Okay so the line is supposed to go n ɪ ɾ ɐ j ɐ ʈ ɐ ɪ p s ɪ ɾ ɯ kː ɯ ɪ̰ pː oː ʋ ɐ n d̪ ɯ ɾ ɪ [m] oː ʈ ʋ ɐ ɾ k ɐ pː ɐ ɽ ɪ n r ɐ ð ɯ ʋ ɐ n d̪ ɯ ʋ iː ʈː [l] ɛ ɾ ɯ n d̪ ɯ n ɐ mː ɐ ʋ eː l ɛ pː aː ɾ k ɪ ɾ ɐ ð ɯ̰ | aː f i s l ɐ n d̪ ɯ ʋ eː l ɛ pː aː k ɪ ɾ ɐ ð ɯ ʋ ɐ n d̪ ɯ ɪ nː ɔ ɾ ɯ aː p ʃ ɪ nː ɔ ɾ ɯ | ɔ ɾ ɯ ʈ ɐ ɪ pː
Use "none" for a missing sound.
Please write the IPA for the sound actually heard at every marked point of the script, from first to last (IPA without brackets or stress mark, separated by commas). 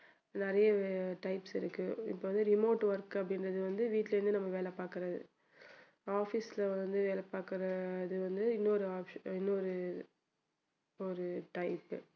m, l